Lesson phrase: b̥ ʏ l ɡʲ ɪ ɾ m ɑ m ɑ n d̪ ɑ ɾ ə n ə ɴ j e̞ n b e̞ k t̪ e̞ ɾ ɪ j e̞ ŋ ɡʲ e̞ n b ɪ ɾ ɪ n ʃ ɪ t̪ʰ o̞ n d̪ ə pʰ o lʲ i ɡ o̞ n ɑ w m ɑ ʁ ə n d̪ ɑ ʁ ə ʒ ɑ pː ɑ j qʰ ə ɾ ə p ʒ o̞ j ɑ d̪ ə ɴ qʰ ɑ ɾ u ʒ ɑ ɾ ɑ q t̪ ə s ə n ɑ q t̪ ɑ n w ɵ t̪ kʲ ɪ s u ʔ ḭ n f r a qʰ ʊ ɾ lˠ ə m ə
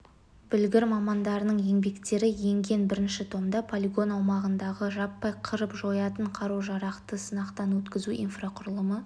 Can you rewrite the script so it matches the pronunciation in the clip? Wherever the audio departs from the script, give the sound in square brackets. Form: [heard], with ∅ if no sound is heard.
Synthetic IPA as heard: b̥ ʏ l ɡʲ ɪ ɾ m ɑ m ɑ n d̪ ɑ ɾ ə n ə ɴ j e̞ [ŋ] b e̞ k t̪ e̞ ɾ ɪ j e̞ ŋ ɡʲ e̞ n b ɪ ɾ ɪ n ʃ ɪ t̪ʰ o̞ [m] d̪ [ɑ] pʰ o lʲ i ɡ o̞ n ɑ w m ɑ ʁ ə n d̪ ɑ ʁ ə ʒ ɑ pː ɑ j qʰ ə ɾ ə p ʒ o̞ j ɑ [t̪] ə ɴ qʰ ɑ ɾ u ʒ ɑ ɾ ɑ q t̪ ə s ə n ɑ q t̪ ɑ n w ɵ t̪ kʲ ɪ [z] u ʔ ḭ n f r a qʰ ʊ ɾ lˠ ə m ə

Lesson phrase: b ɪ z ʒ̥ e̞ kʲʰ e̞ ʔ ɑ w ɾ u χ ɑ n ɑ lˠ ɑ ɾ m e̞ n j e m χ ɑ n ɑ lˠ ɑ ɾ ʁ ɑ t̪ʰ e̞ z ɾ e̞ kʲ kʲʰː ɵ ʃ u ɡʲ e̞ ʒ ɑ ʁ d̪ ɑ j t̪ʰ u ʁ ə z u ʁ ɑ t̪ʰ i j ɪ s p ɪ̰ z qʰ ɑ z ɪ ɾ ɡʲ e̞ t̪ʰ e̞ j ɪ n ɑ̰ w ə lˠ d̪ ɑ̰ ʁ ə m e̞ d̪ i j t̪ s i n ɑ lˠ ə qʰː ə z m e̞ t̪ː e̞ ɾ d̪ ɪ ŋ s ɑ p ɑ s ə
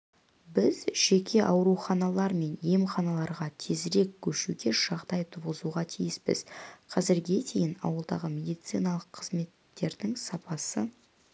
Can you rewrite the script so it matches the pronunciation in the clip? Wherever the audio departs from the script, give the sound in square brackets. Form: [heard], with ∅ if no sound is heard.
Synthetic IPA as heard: b ɪ z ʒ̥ e̞ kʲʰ e̞ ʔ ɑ w ɾ u χ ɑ n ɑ lˠ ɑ ɾ m e̞ n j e m χ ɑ n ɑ lˠ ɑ ɾ ʁ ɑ t̪ʰ e̞ z ɾ e̞ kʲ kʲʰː ɵ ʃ u ɡʲ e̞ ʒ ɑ ʁ d̪ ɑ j t̪ʰ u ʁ ə z u ʁ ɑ t̪ʰ i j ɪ s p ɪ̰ z qʰ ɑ z ɪ ɾ ɡʲ e̞ t̪ʰ e̞ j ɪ n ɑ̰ w ə lˠ d̪ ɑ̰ ʁ ə m e̞ d̪ i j t̪ s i n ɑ lˠ ə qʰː ə z m e̞ t̪ː e̞ ɾ d̪ ɪ ŋ s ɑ p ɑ s ə

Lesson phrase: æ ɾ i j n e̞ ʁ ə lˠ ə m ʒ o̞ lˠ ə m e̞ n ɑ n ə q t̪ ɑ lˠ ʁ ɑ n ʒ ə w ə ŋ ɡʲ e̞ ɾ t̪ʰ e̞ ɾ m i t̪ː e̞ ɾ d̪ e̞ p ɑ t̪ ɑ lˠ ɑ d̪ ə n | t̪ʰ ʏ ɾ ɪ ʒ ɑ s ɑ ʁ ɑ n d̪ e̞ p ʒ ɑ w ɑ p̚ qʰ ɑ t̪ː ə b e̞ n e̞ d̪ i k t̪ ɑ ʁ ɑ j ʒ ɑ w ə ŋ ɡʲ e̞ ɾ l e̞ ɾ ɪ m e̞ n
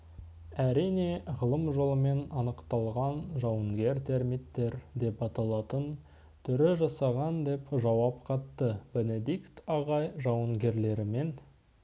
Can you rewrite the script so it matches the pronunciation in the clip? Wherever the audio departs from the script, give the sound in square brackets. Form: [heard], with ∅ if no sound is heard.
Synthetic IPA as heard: æ ɾ i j n e̞ ʁ ə lˠ ə m ʒ o̞ lˠ ə m e̞ n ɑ n ə q t̪ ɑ lˠ ʁ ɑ n ʒ [ɑ] w ə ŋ ɡʲ e̞ ɾ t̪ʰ e̞ ɾ m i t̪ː e̞ ɾ d̪ e̞ p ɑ t̪ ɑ lˠ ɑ [t̪] ə n | t̪ʰ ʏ ɾ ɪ ʒ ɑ s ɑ ʁ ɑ n d̪ e̞ p ʒ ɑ w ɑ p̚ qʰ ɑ t̪ː ə b e̞ n e̞ d̪ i k t̪ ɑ ʁ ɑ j ʒ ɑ w ə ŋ ɡʲ e̞ ɾ l e̞ ɾ ɪ m e̞ n

